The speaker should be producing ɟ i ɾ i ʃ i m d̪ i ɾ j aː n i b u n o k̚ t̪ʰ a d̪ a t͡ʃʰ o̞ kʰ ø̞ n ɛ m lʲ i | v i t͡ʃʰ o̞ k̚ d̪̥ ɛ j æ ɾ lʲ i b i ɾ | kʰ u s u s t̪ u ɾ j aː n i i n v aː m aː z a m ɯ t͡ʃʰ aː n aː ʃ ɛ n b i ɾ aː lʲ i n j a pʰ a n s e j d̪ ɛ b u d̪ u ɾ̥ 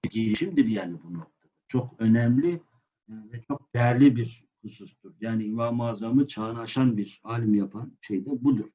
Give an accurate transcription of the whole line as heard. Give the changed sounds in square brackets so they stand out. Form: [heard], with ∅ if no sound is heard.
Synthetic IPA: ɟ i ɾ i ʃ i m d̪ i ɾ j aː n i b u n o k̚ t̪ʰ a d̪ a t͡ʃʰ o̞ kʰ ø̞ n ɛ m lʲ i | v [ɛ] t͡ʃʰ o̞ k̚ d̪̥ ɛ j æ ɾ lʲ i b i ɾ | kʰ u s u s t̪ u ɾ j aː n i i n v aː m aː z a m ɯ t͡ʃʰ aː n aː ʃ [a] n b i ɾ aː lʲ i [m] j a pʰ a n [ʃ] e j d̪ ɛ b u d̪ u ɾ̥